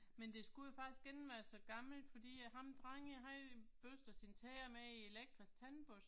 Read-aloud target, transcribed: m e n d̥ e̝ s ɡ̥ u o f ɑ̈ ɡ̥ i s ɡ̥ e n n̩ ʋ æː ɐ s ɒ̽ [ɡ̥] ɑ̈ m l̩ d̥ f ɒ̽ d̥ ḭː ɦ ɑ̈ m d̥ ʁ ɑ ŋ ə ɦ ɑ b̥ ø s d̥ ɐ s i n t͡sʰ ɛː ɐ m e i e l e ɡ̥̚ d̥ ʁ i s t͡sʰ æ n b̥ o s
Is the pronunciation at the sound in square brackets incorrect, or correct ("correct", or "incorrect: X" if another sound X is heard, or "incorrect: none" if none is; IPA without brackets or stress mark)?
correct